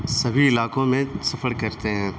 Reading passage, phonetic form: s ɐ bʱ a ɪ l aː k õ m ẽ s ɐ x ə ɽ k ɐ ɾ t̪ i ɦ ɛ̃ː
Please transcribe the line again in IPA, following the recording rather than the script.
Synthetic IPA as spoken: s ɐ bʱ i ɪ l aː k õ m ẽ s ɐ f ə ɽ k ɐ ɾ t̪ e ɦ ɛ̃ː